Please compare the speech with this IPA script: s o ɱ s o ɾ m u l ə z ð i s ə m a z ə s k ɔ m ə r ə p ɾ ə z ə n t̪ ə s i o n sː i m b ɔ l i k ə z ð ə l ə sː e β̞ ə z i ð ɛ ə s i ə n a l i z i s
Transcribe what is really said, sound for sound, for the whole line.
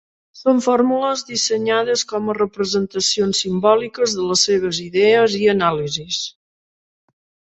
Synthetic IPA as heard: s o ɱ f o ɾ m u l ə z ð i s ə ɲ a ð ə s k ɔ m ə r ə p ɾ ə z ə n t̪ ə s i o n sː i m b ɔ l i k ə z ð ə l ə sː e β̞ ə z i ð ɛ ə z i ə n a l i z i s